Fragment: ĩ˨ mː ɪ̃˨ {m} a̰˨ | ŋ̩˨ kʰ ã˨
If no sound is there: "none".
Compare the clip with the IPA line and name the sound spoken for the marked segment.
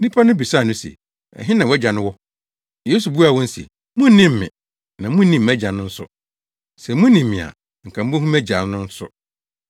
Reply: none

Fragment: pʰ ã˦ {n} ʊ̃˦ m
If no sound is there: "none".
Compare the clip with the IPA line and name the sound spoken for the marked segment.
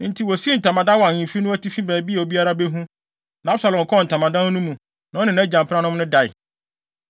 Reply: n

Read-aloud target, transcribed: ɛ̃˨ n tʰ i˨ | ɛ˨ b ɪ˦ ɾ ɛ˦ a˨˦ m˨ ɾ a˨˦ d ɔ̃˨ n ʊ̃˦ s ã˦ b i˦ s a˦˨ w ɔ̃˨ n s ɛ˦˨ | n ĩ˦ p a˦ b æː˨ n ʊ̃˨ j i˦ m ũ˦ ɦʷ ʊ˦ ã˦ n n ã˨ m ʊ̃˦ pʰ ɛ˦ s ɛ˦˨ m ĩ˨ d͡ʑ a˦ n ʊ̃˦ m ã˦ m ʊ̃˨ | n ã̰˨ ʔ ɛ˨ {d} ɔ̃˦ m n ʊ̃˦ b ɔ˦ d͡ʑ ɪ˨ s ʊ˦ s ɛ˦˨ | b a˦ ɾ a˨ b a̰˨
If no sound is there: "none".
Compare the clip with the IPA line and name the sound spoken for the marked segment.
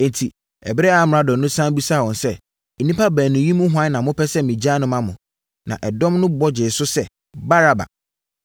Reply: d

